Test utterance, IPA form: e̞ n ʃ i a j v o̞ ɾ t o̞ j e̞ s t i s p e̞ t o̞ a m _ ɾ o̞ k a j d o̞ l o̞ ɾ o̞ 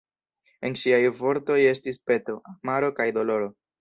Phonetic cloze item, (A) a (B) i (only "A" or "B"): A